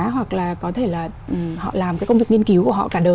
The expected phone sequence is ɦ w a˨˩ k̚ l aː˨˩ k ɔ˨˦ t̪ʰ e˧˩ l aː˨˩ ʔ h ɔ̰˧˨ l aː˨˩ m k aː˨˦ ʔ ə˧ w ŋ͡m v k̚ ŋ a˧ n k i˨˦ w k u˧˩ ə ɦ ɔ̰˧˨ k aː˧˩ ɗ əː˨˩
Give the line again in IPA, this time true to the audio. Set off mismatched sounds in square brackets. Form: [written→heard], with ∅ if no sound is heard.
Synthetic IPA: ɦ w a˨˩ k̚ l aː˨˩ k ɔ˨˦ t̪ʰ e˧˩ l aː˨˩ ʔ h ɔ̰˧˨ l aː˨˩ m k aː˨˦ [ʔ→k] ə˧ w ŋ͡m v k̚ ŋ [a˧→i˧] n k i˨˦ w k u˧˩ ə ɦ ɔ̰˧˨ k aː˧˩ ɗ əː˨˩